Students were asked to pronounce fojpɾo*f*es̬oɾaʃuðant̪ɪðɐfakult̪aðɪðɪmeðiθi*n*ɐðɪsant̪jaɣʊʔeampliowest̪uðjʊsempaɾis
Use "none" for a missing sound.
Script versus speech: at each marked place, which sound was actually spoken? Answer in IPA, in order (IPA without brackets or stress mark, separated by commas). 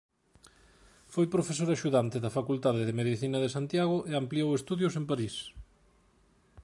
f, n